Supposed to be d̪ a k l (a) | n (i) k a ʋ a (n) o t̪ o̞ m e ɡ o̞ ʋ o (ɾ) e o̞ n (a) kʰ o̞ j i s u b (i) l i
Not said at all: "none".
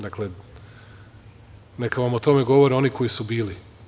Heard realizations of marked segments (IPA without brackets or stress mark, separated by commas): e, e, m, ɾ, i, iː